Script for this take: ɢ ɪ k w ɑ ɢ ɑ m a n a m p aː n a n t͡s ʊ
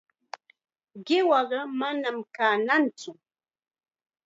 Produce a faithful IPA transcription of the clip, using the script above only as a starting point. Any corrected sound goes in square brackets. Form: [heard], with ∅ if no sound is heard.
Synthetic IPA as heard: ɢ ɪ [∅] w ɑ ɢ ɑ m a n a m [k] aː n a n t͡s ʊ